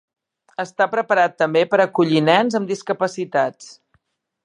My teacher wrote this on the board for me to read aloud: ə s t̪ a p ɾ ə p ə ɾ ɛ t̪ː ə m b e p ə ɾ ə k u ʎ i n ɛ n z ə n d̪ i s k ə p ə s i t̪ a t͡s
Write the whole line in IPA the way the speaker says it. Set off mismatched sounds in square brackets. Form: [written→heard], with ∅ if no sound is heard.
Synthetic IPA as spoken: ə s t̪ a p ɾ ə p ə ɾ [ɛ→a] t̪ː ə m b e p ə ɾ ə k u ʎ i n ɛ n z ə [n→m] d̪ i s k ə p ə s i t̪ a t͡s